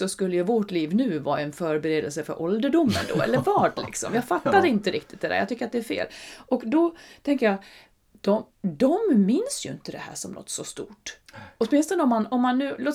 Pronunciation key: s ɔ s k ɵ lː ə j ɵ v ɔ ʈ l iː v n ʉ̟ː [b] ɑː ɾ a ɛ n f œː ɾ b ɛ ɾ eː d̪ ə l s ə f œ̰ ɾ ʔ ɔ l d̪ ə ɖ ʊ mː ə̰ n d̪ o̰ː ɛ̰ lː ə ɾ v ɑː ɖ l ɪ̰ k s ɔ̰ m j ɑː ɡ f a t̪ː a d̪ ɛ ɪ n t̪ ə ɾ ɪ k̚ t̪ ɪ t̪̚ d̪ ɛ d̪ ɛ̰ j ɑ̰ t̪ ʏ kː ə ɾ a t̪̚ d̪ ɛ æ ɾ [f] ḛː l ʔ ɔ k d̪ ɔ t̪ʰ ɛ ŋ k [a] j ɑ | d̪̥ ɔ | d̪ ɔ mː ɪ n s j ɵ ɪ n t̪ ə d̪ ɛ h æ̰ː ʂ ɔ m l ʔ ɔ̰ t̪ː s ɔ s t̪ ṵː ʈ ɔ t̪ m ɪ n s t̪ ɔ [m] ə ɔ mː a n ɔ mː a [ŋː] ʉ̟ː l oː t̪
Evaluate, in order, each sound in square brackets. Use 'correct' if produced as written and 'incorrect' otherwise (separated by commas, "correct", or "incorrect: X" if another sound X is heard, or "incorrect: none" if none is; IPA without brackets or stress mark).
incorrect: v, correct, incorrect: ə, incorrect: n, incorrect: nː